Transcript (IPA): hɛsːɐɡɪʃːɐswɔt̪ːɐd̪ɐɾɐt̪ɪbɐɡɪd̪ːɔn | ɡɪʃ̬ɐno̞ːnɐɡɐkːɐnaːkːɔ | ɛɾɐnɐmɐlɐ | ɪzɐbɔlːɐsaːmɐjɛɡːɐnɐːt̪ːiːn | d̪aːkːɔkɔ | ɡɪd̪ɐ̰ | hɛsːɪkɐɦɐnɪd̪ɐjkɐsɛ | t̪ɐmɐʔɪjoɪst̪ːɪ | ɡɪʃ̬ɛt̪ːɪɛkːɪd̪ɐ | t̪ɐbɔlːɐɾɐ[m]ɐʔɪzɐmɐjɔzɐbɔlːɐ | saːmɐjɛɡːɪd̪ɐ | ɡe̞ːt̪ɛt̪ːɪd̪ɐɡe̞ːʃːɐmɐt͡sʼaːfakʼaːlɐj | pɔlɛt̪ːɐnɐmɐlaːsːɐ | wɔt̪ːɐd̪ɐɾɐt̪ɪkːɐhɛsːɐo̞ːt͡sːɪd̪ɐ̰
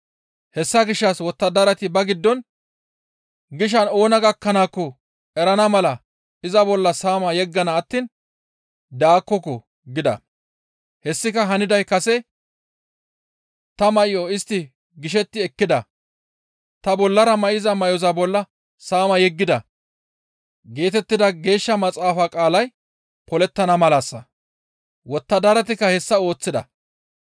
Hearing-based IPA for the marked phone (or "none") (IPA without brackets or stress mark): m